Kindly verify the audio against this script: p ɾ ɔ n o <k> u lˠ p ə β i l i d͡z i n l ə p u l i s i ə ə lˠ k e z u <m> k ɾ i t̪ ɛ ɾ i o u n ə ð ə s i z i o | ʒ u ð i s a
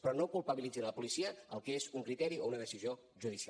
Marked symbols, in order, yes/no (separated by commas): yes, no